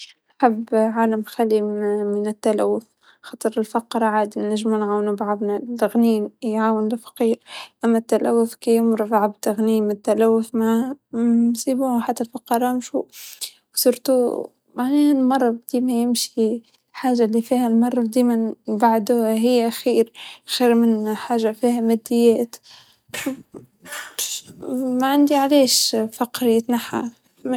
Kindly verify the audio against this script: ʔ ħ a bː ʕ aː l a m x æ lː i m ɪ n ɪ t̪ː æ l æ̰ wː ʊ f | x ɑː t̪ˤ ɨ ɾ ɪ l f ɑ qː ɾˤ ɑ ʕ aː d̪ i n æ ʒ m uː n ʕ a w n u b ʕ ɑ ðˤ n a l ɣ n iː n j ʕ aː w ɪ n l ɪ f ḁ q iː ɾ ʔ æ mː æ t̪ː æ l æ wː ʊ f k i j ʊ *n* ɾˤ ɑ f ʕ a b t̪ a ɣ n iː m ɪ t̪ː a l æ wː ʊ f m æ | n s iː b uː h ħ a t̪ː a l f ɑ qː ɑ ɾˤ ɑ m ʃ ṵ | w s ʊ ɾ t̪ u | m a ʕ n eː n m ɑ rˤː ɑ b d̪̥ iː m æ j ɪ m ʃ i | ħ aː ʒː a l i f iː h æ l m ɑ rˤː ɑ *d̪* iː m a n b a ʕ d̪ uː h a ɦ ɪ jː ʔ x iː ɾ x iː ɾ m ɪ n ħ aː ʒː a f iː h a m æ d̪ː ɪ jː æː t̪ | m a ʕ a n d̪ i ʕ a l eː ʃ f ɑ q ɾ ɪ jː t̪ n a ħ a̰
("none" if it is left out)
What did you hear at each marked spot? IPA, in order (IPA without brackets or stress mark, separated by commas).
m, d̪